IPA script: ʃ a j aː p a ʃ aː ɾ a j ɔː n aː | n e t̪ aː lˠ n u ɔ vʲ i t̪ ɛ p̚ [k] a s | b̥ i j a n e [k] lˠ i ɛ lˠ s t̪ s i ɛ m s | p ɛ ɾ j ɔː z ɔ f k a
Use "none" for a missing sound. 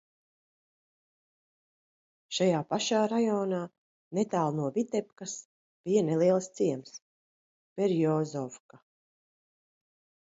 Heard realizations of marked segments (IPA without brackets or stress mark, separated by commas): k, none